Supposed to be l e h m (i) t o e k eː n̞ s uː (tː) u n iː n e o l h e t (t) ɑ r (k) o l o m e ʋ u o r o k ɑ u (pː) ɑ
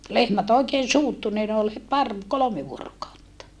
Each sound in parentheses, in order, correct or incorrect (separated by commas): incorrect, correct, incorrect, correct, incorrect